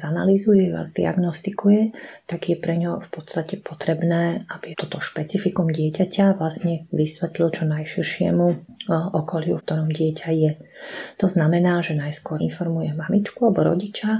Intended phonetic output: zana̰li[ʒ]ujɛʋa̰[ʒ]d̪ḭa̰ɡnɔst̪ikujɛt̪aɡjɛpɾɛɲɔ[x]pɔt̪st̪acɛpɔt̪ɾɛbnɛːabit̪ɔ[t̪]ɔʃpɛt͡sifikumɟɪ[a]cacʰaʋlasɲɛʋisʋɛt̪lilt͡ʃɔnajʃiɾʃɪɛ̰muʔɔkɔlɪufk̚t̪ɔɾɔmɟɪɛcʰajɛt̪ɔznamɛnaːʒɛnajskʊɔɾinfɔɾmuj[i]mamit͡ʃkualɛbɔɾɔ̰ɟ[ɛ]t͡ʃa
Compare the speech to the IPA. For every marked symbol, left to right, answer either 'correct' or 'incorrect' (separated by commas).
incorrect, incorrect, incorrect, correct, incorrect, incorrect, incorrect